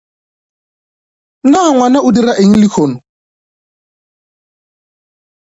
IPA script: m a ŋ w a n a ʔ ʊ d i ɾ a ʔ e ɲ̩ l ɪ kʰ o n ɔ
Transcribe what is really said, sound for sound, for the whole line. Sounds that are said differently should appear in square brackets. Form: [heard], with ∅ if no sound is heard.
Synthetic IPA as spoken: [n] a ŋ w a n a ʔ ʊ d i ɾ a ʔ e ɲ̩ l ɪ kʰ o n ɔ